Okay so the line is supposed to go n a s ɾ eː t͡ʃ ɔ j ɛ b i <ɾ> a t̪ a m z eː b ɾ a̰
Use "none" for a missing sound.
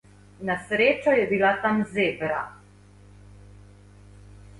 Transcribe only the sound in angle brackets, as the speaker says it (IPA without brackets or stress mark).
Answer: l